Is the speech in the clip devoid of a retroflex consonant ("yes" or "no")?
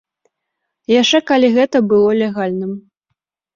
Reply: no